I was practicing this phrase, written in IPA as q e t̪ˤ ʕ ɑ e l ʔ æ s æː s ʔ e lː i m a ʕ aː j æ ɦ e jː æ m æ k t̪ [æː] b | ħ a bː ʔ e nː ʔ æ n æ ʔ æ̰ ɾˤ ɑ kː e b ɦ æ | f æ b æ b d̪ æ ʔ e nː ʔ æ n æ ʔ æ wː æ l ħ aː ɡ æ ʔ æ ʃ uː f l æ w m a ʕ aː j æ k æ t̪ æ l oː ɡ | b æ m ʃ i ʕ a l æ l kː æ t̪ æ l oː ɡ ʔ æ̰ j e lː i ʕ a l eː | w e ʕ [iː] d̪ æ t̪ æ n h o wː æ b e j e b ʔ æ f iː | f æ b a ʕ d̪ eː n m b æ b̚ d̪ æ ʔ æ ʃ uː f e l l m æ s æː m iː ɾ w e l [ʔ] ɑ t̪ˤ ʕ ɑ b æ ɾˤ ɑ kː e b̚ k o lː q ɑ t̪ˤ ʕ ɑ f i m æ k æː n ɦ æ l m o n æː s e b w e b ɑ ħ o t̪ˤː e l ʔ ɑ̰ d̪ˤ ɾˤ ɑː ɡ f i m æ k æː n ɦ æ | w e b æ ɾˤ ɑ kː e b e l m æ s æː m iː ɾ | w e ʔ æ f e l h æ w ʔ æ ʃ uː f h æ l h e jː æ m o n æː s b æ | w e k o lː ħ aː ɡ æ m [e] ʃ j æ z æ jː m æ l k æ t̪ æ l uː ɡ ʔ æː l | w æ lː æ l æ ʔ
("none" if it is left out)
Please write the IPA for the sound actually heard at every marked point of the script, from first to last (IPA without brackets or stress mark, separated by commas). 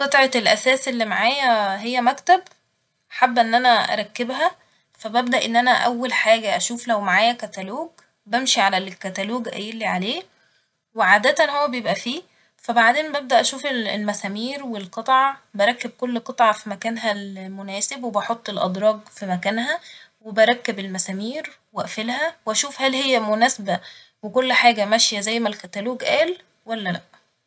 æ, aː, q, æ